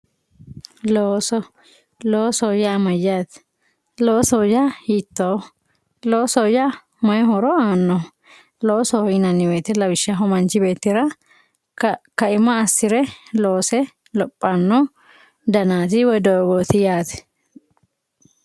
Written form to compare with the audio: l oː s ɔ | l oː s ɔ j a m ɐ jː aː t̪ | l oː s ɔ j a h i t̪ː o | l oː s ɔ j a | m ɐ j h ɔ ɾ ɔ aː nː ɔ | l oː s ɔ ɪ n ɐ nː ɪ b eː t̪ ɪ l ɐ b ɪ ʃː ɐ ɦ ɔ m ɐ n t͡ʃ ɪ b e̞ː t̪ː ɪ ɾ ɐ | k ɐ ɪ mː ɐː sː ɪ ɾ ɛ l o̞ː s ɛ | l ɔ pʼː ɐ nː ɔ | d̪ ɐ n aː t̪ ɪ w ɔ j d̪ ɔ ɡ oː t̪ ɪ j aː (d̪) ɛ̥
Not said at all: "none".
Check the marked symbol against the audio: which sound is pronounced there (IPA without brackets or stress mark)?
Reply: t̪